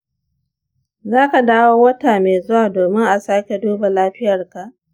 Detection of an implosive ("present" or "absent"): absent